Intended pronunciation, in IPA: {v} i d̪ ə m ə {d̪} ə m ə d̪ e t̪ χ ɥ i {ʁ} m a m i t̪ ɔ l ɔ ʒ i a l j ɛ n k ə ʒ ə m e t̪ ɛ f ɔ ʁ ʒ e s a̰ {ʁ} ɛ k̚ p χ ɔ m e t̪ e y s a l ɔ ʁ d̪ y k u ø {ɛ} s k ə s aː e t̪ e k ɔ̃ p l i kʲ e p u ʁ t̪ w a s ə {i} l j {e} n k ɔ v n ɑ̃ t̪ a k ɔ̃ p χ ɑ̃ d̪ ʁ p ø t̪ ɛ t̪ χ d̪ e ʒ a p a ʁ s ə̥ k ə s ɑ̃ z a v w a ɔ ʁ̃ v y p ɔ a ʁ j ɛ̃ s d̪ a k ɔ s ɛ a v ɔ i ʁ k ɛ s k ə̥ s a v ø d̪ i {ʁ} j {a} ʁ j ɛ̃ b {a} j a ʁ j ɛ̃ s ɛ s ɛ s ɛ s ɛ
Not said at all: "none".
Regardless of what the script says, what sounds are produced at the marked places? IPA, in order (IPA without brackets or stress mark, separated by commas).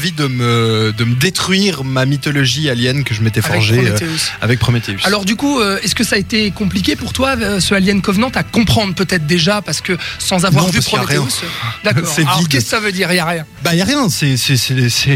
v, d̪, ʁ, v, ɛ, a, ɛ, ʁ, a, a